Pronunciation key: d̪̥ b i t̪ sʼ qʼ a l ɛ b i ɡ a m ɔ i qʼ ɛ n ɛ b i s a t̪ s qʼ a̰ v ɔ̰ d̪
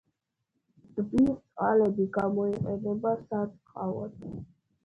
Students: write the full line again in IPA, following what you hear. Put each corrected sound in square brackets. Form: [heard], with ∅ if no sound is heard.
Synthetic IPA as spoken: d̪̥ b i t̪ sʼ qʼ a l ɛ b i ɡ a m ɔ i qʼ ɛ n ɛ b [a] s a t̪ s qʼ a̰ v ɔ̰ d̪